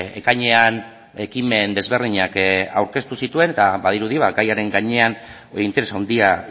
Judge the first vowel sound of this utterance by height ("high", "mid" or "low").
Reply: mid